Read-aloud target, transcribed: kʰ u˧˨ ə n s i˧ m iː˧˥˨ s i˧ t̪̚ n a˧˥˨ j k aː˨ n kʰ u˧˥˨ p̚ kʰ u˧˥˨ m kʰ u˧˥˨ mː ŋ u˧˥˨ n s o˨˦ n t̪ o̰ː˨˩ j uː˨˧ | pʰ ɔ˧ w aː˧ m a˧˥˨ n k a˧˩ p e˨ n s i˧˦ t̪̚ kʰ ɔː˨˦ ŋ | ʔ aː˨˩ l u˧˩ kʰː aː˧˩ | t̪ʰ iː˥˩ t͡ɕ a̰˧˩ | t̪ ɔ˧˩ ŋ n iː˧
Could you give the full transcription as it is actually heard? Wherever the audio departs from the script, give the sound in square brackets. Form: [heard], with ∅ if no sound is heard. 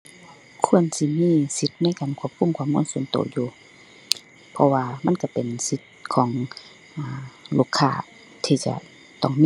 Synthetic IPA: kʰ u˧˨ ə n s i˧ m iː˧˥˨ s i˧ t̪̚ n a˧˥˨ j k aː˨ n kʰ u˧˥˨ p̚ kʰ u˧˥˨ m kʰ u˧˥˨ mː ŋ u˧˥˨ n s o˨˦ n t̪ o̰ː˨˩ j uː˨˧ | pʰ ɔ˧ w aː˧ m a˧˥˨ n k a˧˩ p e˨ n s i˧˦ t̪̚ kʰ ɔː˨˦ ŋ | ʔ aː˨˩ l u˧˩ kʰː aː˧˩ | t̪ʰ [iː˧] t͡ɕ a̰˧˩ | t̪ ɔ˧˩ ŋ [m] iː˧